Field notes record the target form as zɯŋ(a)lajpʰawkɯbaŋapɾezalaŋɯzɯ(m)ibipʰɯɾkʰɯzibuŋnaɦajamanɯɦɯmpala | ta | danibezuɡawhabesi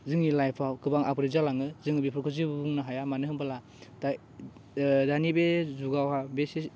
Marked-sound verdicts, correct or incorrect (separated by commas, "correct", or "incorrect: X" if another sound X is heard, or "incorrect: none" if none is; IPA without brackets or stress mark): incorrect: i, incorrect: ŋ